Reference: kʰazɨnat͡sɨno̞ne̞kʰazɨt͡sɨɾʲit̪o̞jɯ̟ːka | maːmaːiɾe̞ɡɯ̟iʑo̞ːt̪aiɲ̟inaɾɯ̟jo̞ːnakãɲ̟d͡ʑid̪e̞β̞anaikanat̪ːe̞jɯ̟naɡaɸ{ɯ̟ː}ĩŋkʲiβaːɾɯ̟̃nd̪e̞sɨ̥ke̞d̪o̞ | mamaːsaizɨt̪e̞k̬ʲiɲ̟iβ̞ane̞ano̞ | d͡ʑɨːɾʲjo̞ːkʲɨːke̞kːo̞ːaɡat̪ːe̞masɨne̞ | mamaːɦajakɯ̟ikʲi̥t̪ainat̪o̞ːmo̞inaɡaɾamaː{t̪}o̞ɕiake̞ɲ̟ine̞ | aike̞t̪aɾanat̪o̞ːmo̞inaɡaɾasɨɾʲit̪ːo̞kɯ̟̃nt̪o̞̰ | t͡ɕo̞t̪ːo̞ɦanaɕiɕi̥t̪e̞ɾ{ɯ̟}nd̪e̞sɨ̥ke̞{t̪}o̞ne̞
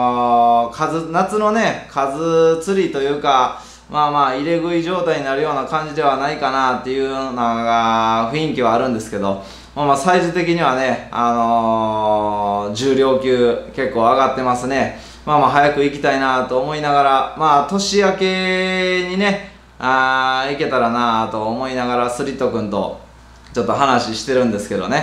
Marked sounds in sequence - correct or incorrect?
incorrect: ɯ̟, correct, incorrect: ɯ̟̃, incorrect: d̪

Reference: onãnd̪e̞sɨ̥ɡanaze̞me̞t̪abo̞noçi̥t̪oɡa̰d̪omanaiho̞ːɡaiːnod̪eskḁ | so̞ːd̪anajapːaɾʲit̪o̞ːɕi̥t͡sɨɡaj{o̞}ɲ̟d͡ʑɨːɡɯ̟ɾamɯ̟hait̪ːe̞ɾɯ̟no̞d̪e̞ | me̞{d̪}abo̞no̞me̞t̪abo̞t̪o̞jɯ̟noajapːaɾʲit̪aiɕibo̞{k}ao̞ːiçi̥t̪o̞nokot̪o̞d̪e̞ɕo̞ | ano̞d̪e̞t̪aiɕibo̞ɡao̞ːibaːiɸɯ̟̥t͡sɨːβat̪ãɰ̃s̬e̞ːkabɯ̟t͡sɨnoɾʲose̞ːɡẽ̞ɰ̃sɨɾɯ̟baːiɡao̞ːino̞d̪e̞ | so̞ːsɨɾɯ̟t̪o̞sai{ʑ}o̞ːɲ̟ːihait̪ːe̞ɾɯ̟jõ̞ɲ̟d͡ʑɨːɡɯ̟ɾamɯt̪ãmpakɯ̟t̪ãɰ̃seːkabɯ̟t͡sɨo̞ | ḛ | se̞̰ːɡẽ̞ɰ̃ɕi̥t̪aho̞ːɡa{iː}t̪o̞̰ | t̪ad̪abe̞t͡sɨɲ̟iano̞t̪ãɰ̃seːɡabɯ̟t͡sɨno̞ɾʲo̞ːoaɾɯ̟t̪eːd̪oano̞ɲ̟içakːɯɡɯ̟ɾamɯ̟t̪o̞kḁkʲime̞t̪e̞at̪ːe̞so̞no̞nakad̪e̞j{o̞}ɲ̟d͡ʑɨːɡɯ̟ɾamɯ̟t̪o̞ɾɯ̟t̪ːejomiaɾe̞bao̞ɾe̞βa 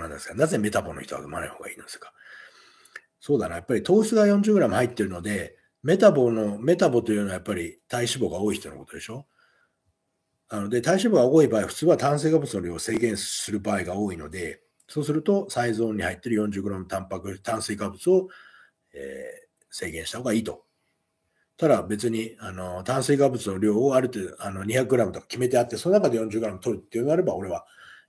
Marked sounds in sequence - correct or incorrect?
incorrect: õ̞, incorrect: t̪, incorrect: ɡ, incorrect: z, correct, incorrect: õ̞

